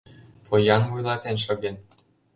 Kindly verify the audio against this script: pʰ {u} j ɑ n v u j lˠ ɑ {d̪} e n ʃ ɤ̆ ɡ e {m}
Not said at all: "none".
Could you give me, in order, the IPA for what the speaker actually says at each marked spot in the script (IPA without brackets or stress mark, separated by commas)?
o, t̪, n